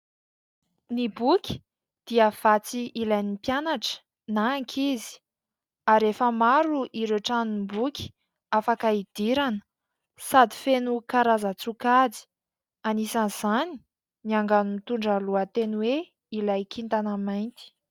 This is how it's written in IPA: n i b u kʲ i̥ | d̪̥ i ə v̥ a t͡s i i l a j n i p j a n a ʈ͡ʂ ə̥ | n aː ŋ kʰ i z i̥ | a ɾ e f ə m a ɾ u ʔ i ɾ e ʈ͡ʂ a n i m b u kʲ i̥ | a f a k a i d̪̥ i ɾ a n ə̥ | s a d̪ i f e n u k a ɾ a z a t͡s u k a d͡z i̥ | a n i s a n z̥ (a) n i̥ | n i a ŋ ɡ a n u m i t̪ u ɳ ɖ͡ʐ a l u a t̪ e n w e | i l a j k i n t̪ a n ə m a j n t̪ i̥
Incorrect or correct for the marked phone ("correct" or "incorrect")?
correct